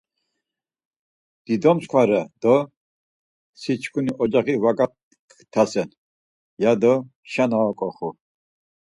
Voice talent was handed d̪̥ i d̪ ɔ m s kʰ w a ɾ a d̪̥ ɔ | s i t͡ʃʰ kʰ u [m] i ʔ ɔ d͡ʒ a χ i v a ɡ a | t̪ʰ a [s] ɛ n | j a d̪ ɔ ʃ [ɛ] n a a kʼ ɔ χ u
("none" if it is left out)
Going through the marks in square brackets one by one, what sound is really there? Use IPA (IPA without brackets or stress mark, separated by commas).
n, s, a